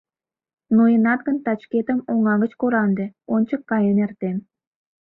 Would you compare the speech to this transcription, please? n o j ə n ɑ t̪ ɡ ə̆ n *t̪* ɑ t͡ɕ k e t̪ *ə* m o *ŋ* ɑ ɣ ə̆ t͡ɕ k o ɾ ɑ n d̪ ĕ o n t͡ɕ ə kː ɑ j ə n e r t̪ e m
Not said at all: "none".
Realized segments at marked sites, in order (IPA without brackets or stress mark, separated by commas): t̪, ə, ŋ